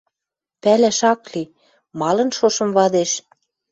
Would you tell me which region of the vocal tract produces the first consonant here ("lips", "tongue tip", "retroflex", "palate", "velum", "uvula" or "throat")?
lips